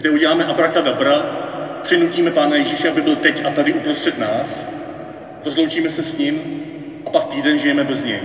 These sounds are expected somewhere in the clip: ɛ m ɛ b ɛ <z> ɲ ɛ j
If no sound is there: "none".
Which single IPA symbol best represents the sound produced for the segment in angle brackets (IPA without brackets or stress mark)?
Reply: z